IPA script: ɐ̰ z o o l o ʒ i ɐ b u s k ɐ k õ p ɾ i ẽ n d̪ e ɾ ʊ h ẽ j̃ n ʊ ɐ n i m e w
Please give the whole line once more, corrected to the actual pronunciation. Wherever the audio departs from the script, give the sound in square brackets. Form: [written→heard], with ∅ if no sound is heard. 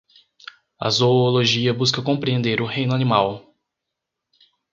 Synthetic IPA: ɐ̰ z o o l o ʒ i ɐ b u s k ɐ k õ p ɾ i ẽ n d̪ e ɾ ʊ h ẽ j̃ n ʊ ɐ n i m [e→a] w